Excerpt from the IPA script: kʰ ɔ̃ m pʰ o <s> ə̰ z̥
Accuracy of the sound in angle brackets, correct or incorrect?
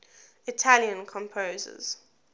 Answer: incorrect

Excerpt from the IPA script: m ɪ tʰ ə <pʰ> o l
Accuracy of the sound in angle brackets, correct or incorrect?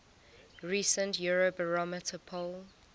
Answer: correct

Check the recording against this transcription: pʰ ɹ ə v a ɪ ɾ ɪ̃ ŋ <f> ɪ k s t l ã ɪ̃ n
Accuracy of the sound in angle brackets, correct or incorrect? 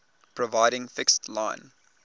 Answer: correct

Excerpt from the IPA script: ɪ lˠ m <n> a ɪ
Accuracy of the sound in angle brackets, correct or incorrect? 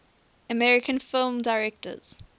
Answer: incorrect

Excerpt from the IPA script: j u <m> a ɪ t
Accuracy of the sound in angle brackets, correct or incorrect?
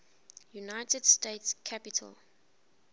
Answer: incorrect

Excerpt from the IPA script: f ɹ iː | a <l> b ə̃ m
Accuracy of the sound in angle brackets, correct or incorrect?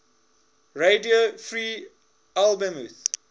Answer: correct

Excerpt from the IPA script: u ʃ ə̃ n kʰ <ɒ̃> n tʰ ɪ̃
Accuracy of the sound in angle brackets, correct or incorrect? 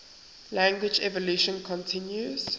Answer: incorrect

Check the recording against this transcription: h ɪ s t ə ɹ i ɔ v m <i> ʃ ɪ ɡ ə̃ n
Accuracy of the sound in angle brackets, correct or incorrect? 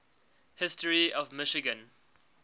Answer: incorrect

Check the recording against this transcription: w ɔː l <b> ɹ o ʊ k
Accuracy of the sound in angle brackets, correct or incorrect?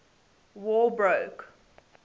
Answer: correct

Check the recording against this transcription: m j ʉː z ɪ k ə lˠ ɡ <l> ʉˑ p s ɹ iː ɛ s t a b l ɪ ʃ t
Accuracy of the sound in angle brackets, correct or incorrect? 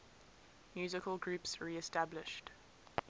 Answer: incorrect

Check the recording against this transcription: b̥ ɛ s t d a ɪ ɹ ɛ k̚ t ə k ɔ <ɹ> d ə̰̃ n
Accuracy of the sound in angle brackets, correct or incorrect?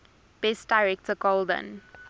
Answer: incorrect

